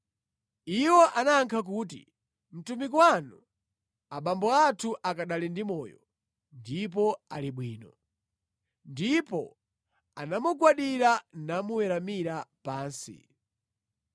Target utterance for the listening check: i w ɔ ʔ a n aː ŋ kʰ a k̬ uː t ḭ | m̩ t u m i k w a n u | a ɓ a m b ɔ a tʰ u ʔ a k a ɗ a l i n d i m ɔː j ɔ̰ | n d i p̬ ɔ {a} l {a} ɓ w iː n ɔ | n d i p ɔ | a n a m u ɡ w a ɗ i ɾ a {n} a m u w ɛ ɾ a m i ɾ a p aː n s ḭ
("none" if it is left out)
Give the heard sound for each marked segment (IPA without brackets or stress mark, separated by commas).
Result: a, i, n